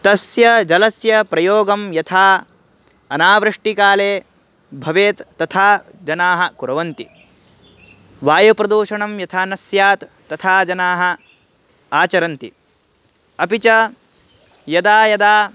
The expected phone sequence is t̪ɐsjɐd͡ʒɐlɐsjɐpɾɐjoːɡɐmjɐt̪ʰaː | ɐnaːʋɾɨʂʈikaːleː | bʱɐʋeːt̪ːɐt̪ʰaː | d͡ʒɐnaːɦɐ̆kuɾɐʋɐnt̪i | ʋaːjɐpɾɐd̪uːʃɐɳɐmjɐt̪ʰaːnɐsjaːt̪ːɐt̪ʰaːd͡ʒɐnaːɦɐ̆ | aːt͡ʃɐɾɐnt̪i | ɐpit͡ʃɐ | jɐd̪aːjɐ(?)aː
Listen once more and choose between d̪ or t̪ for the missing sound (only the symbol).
d̪